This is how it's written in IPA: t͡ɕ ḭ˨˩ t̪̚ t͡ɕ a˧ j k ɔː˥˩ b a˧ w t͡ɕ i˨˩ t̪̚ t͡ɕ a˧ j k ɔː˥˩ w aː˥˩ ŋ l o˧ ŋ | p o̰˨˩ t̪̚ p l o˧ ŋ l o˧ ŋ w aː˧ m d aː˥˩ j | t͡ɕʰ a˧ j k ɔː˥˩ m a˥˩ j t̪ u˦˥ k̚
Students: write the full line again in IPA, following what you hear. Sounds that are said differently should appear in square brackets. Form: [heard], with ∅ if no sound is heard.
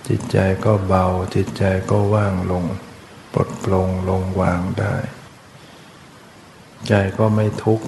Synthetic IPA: t͡ɕ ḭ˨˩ t̪̚ t͡ɕ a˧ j k ɔː˥˩ b a˧ w t͡ɕ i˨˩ t̪̚ t͡ɕ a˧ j k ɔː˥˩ w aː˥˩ ŋ l o˧ ŋ | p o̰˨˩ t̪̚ p l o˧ ŋ l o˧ ŋ w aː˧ [ŋ] d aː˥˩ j | [t͡ɕ] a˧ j k ɔː˥˩ m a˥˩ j [t̪ʰ] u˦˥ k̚